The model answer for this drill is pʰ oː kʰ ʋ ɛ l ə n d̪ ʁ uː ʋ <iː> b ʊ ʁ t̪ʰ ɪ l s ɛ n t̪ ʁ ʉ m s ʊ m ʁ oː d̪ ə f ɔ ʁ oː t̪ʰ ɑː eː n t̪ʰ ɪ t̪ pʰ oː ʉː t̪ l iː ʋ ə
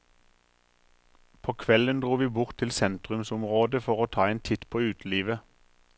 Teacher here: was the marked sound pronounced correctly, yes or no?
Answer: yes